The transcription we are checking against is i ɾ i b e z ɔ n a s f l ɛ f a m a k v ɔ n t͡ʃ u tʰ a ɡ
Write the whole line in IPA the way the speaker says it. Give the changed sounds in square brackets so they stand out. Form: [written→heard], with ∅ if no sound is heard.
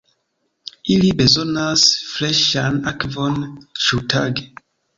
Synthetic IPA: i [ɾ→l] i b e z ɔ n a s f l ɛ [f→ʃ] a [m→n] a k v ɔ n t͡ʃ u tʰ a ɡ